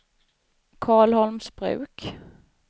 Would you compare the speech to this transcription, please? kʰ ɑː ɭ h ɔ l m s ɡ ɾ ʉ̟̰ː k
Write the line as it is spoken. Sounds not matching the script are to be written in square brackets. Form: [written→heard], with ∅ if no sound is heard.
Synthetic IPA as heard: kʰ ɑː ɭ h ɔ l m s [ɡ→b] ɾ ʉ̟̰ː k